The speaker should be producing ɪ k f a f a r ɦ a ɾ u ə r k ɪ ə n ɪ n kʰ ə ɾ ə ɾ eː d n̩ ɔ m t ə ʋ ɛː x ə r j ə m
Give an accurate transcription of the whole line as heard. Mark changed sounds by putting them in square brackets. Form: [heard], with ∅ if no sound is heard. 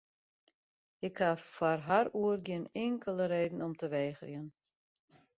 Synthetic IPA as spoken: ɪ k [h] a f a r ɦ a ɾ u ə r [ɡ] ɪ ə n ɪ [ŋ] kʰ ə [l] ə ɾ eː d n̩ ɔ m t ə ʋ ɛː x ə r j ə [n]